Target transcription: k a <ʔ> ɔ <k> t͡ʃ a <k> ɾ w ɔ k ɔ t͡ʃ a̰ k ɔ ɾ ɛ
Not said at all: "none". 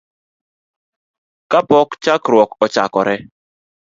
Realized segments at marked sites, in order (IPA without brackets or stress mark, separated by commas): p, k, k